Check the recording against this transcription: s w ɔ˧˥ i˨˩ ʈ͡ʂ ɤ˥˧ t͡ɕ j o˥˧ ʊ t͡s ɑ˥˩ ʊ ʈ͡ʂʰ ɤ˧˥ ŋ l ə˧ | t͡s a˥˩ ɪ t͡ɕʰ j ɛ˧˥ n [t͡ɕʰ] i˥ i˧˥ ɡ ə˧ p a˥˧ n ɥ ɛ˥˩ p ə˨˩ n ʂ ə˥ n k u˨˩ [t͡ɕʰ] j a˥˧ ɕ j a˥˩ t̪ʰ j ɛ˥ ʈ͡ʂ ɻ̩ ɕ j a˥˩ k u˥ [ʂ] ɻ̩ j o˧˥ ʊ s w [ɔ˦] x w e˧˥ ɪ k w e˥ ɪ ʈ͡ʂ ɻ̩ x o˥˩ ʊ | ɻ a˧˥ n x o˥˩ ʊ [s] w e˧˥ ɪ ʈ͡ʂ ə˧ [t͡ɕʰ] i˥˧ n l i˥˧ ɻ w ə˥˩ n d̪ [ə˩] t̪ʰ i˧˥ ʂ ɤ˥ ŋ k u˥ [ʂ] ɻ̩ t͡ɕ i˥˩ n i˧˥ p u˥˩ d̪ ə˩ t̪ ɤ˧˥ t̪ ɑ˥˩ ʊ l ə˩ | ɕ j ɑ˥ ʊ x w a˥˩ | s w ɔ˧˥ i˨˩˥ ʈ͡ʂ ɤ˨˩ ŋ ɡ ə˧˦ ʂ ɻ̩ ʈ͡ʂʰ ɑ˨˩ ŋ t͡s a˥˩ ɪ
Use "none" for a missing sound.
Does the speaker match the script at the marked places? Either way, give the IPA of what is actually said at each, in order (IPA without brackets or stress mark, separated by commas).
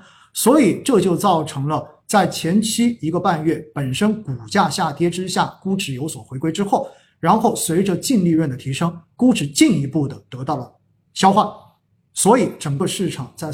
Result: t͡ɕʰ, t͡ɕ, ʈ͡ʂ, ɔ˨˩, s, t͡ɕ, ə˩, ʈ͡ʂ